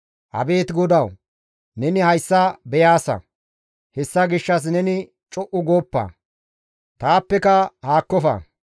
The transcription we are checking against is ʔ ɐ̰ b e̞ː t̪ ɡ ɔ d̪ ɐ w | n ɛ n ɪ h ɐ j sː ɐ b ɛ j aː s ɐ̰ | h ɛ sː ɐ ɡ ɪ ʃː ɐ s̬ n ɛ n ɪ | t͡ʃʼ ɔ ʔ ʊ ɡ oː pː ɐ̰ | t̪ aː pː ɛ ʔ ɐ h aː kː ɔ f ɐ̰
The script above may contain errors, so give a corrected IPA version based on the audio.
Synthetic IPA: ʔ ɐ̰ b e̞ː t̪ ɡ ɔ d̪ ɐ w | n ɛ n ɪ h ɐ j sː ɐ b ɛ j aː s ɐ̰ | h ɛ sː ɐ ɡ ɪ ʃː ɐ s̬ n ɛ n ɪ | t͡ʃʼ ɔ ʔ ʊ ɡ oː pː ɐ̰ | t̪ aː pː ɛ k ɐ h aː kː ɔ f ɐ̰